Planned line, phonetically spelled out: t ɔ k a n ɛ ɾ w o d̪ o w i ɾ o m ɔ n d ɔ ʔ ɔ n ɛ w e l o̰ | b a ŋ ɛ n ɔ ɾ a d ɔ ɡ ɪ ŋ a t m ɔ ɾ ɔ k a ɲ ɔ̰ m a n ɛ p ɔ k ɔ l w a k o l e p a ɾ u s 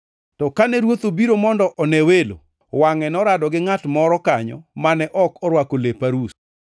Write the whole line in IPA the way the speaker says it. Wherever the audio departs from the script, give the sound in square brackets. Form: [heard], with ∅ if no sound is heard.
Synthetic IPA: t ɔ k a n ɛ ɾ w o [t̪] o [b] i ɾ o m ɔ n d ɔ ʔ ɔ n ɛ w e l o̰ | [w] a ŋ ɛ n ɔ ɾ a d ɔ ɡ ɪ ŋ a t m ɔ ɾ ɔ k a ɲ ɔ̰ m a n ɛ [ʔ] ɔ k ɔ [ɾ] w a k o l e p a ɾ u s